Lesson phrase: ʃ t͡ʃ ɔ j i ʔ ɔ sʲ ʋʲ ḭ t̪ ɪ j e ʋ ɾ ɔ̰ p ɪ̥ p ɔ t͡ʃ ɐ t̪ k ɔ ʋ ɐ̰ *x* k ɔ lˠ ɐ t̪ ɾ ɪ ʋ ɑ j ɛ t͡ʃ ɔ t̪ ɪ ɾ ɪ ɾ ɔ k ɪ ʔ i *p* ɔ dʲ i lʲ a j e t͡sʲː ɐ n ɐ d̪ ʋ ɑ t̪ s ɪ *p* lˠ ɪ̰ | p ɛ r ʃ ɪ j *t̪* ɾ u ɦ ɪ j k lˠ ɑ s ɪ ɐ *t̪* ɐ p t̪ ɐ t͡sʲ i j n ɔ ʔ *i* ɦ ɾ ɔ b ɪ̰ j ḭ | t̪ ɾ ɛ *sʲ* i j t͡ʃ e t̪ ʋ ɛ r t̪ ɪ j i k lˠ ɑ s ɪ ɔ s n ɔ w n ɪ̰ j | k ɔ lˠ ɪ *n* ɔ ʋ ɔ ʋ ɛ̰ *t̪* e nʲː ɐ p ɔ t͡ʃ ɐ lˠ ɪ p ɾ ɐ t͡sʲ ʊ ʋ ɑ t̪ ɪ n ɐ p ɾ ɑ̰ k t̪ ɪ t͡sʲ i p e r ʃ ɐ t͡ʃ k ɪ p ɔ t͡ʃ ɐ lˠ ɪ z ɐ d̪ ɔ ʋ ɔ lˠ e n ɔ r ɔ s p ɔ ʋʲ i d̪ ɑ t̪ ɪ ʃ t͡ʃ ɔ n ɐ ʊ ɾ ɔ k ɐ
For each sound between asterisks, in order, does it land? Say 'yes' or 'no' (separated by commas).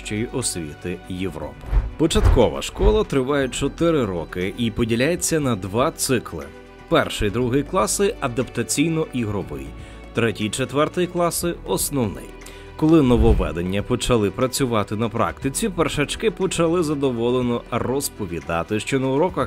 no, yes, no, no, no, yes, no, yes, no